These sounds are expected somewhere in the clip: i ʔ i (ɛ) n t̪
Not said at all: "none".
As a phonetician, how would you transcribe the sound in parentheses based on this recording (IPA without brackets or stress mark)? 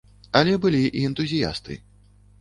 ɛ